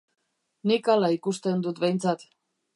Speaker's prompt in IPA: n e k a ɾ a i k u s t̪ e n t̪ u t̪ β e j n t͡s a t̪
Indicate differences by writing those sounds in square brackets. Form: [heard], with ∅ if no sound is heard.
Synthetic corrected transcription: n [i] k a [l] a i k u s t̪ e n [d̪] u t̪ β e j n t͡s a t̪